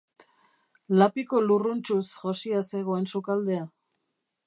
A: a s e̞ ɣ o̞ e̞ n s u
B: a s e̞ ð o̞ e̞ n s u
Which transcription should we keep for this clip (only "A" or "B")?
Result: A